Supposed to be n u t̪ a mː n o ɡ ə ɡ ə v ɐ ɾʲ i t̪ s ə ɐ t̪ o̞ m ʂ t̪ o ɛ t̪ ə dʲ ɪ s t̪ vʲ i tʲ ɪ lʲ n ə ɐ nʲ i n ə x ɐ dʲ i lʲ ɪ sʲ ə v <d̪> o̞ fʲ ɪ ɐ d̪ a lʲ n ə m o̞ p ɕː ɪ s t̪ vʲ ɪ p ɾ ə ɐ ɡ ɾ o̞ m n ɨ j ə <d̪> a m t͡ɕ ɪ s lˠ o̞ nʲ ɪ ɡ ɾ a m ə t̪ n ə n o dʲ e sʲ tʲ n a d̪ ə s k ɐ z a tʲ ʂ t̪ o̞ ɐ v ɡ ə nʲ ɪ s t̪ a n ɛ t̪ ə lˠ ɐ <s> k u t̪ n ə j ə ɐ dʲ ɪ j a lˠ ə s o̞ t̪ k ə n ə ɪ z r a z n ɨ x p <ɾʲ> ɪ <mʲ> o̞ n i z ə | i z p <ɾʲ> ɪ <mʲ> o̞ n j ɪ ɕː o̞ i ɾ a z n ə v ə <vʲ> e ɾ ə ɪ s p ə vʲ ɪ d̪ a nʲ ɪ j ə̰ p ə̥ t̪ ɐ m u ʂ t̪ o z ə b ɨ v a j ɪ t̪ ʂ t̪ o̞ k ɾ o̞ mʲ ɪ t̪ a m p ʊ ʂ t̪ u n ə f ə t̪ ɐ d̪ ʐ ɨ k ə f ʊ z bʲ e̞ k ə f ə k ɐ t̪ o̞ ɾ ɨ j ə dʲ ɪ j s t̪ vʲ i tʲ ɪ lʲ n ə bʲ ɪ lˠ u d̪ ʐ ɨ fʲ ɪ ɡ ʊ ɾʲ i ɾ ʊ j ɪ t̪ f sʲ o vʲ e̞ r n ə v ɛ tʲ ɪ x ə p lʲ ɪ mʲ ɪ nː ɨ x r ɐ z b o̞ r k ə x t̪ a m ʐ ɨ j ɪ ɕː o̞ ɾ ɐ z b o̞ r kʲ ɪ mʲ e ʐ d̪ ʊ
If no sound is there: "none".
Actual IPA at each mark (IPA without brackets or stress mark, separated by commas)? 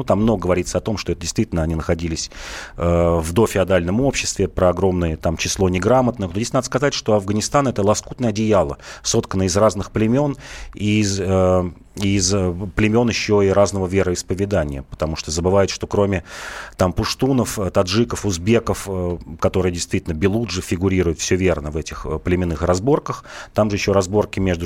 d̪, t̪, s, lʲ, mʲ, lʲ, mʲ, vʲ